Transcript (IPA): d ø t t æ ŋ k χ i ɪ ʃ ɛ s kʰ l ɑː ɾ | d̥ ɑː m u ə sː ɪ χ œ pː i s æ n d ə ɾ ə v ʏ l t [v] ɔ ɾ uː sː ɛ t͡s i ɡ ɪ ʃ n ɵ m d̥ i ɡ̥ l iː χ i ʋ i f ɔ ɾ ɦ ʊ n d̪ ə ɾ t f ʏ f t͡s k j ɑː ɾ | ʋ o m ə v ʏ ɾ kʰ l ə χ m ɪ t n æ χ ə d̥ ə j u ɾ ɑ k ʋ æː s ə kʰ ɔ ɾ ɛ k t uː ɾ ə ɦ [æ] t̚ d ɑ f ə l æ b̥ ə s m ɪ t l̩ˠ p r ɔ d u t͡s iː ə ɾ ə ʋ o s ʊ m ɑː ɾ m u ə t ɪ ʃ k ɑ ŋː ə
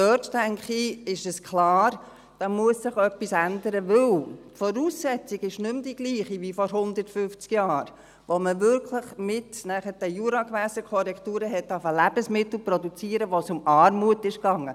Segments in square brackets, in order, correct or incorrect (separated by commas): incorrect, incorrect